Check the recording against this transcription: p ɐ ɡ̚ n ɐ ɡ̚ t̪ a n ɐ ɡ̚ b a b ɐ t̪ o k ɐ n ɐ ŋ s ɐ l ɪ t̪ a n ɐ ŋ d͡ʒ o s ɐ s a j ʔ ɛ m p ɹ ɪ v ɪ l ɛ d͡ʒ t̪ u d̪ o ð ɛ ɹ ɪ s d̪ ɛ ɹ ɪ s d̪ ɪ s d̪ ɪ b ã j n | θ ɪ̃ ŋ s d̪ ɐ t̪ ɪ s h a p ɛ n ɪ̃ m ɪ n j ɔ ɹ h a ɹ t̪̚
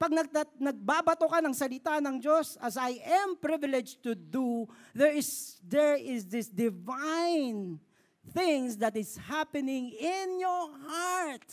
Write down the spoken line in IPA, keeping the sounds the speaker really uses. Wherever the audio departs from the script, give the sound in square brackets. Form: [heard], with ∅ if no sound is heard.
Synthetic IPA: p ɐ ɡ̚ n ɐ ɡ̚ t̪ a n ɐ ɡ̚ b a b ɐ t̪ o k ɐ n ɐ ŋ s ɐ l ɪ t̪ a n ɐ ŋ d͡ʒ o s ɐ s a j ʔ ɛ m p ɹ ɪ v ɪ l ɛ d͡ʒ t̪ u d̪ [u] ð ɛ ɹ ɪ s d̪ ɛ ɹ ɪ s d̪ ɪ s d̪ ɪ [v] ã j n | θ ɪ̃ ŋ s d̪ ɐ t̪ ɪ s h a p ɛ n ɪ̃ [ŋ] ɪ n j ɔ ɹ h a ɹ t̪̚